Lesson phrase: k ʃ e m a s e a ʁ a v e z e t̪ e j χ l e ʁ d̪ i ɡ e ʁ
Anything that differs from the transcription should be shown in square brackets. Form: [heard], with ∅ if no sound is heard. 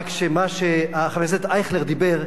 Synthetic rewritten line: k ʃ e m a [ʃ] e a [χ] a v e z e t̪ [a] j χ l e ʁ d̪ i [b] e ʁ